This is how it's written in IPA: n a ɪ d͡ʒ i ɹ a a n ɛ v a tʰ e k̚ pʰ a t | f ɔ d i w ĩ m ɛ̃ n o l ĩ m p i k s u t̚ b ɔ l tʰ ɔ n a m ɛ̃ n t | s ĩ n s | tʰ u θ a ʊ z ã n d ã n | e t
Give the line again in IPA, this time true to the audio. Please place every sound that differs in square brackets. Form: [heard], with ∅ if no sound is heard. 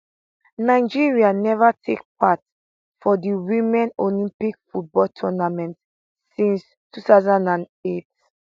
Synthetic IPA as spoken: n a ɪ d͡ʒ i ɹ [i] a n ɛ v a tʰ e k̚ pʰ a t | f ɔ d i w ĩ m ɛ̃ n o l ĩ m p i k [f] u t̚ b ɔ l tʰ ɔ n a m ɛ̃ n t | s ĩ n s | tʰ u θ a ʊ z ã n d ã n | e t